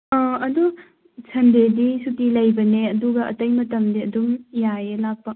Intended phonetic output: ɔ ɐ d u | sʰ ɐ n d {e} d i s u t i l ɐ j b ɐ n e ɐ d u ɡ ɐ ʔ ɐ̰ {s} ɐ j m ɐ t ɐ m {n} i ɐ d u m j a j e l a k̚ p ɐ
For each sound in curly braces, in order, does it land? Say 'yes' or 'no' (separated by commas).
yes, no, no